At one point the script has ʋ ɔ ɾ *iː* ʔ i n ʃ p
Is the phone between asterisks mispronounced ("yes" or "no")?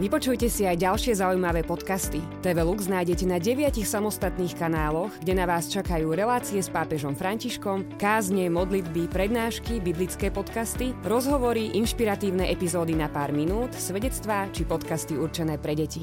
yes